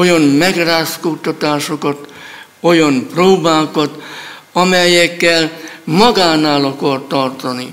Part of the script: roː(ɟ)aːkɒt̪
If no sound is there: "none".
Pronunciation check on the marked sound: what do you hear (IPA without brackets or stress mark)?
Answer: b